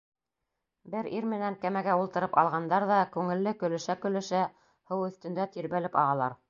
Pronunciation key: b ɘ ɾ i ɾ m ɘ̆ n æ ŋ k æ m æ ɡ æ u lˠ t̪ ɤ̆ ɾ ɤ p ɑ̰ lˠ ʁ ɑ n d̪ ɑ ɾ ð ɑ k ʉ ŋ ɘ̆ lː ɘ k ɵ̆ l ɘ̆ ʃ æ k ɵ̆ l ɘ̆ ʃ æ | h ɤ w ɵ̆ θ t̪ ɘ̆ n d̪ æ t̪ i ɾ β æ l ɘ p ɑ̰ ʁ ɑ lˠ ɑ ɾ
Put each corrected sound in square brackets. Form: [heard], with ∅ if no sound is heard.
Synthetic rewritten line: b ɘ ɾ i ɾ m ɘ̆ n æ ŋ k æ m æ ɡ æ u lˠ t̪ ɤ̆ ɾ ɤ p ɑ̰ lˠ ʁ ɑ n d̪ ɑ ɾ ð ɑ k ʉ ŋ ɘ̆ lː ɘ k ɵ̆ l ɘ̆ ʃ æ k ɵ̆ l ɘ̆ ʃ æ | h ɤ w ɵ̆ θ t̪ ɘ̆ n d̪ æ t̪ i ɾ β æ l ɘ p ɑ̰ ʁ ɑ lˠ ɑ ɾ